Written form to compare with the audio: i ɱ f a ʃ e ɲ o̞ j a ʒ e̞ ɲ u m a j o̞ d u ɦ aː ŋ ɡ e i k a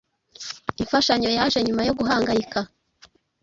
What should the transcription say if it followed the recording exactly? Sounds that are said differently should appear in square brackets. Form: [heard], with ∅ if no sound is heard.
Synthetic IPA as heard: i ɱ f a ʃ [a] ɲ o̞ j a ʒ e̞ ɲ u m a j o̞ [ɡ] u ɦ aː ŋ ɡ [a] i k a